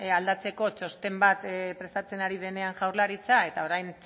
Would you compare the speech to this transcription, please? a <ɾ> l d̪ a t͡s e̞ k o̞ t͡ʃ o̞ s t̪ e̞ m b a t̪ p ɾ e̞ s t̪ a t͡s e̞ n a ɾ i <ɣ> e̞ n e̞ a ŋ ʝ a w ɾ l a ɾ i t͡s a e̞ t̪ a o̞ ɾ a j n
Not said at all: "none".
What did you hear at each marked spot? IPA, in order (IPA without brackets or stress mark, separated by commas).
none, ð